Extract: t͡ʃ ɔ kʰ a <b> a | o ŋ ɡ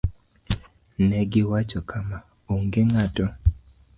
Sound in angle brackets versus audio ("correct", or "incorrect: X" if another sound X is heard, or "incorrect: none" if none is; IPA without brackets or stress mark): incorrect: m